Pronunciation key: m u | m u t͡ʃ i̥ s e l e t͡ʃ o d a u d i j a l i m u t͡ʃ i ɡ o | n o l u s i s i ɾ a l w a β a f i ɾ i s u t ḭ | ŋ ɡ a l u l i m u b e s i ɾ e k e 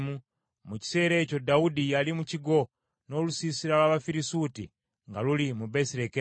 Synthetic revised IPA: m u | m u t͡ʃ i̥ s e ɾ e t͡ʃ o d a u d i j a l i m u t͡ʃ i ɡ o | n o l u s i s i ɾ a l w a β a f i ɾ i s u t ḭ | ŋ ɡ a l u l i m u b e s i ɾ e k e